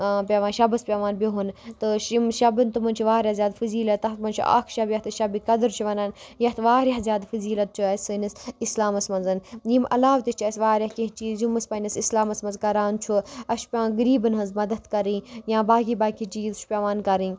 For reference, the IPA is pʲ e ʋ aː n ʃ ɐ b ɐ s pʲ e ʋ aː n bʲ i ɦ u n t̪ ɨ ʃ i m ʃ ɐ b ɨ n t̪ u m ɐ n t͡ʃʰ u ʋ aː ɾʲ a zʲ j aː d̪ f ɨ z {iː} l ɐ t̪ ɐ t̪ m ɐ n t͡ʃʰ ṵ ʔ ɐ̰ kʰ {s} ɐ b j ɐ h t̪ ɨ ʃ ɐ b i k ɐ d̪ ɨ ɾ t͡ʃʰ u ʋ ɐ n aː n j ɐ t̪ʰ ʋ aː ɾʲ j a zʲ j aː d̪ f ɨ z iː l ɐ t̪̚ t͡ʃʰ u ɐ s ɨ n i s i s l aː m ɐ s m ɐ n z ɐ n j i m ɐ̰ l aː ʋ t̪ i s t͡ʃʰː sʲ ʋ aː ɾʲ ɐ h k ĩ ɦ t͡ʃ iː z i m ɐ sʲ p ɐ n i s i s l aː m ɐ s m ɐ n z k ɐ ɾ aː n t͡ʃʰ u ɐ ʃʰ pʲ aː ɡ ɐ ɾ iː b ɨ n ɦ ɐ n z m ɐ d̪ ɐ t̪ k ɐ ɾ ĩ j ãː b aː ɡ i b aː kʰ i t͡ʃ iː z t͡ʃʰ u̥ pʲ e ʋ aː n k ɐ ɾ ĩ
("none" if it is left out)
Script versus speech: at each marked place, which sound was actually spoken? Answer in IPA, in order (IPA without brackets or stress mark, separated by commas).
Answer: iː, ʃ